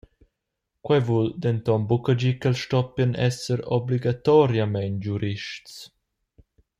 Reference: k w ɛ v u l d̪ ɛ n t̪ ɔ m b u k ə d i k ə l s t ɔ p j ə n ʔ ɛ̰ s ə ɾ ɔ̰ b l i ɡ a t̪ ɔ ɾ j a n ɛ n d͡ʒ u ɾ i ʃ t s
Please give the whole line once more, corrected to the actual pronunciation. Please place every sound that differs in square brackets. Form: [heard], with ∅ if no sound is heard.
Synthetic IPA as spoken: k w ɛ v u l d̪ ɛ n t̪ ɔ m b u k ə [d͡ʒ] i k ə l [ʃ] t ɔ p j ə n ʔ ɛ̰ s ə ɾ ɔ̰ b l i ɡ a t̪ ɔ ɾ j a [m] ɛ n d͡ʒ u ɾ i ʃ t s